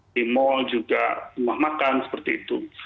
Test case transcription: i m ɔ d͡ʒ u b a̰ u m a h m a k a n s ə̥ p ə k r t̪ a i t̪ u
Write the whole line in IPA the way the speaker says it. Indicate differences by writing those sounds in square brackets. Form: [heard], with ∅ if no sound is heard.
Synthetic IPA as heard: i m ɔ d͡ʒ u [ɡ] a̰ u m a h m a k a n s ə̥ p ə [∅] r t̪ [i] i t̪ u